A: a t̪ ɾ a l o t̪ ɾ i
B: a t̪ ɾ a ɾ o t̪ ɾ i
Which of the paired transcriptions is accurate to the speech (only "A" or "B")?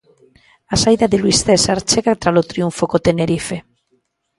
A